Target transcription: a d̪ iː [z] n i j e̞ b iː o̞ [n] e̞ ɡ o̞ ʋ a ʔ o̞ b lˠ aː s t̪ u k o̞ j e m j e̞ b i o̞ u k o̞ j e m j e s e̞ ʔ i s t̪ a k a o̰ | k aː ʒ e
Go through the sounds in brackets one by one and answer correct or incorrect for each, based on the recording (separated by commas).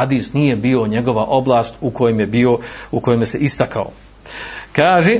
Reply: incorrect, incorrect